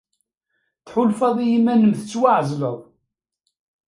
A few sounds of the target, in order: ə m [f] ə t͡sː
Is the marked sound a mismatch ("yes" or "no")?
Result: yes